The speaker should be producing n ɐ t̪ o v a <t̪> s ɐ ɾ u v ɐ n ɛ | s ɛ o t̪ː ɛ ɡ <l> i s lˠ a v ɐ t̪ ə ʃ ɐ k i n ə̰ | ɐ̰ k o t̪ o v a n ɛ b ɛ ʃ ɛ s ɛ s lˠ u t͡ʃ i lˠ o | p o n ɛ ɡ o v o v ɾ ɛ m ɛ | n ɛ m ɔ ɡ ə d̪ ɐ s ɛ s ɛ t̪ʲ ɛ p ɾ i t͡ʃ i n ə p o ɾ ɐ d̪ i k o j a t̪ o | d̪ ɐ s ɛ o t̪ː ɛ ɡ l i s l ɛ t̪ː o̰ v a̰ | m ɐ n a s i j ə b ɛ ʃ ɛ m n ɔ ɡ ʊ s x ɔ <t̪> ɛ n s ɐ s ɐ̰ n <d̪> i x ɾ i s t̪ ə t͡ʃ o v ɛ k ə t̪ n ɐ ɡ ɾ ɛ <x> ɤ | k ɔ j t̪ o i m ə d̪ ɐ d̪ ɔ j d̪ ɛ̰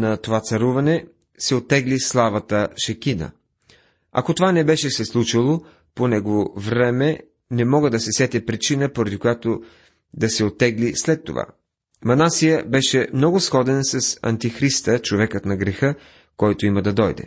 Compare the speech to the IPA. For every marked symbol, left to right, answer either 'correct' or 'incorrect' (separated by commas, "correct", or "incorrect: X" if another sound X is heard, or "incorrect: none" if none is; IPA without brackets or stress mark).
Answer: correct, correct, incorrect: d̪, incorrect: t̪, correct